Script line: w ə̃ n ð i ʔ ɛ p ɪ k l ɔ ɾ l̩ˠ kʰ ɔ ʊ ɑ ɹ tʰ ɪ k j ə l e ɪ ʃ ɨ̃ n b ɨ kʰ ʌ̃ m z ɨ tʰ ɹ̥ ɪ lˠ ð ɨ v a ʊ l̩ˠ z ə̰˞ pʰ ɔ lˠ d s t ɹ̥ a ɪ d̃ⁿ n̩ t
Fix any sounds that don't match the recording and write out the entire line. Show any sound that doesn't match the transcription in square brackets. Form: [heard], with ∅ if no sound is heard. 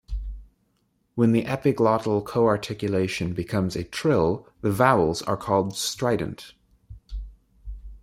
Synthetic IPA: w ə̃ n ð i ʔ ɛ p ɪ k l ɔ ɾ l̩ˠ kʰ [o] ʊ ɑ ɹ tʰ ɪ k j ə l e ɪ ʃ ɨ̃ n b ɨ kʰ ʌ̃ m z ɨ tʰ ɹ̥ ɪ lˠ ð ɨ v a ʊ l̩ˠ z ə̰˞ [kʰ] ɔ lˠ d s t ɹ̥ a ɪ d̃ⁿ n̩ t